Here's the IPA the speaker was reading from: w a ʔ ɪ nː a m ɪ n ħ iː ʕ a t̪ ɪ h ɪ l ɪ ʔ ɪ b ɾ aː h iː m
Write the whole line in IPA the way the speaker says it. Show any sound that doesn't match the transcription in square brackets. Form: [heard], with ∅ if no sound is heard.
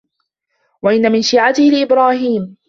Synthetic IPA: w a ʔ ɪ nː a m ɪ n [ʃ] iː ʕ a t̪ ɪ h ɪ l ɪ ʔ ɪ b ɾ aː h iː m